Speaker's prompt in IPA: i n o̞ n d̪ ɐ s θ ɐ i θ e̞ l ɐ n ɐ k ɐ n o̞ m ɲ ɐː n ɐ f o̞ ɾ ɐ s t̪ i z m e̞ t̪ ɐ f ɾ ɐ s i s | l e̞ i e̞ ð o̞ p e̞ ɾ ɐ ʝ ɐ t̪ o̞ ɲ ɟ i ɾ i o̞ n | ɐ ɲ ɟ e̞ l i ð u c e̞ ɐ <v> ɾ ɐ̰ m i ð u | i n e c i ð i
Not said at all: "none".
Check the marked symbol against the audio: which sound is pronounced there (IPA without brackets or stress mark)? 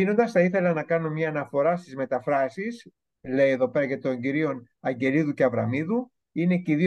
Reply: v